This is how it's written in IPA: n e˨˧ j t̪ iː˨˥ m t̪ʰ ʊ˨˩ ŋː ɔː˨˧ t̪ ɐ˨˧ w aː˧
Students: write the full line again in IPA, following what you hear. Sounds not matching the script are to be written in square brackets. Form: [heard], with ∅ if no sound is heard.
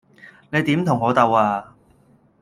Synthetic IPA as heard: n e˨˧ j t̪ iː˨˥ m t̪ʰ ʊ˨˩ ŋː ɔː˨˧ t̪ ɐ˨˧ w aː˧